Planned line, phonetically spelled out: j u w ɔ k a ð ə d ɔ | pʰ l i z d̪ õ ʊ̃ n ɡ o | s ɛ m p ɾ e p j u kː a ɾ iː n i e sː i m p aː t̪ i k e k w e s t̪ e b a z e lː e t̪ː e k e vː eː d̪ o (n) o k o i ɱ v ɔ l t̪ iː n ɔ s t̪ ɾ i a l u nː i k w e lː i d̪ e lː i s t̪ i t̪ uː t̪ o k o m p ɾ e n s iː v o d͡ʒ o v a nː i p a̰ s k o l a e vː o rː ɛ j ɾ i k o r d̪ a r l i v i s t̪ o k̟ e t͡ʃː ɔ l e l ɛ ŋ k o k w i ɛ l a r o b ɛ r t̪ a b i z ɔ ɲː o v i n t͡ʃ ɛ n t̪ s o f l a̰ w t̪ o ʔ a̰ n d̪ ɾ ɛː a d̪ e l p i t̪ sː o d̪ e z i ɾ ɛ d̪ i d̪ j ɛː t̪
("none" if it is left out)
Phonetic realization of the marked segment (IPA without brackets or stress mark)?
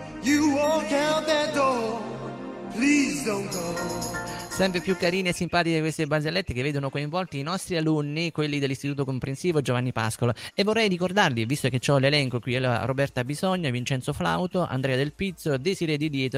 n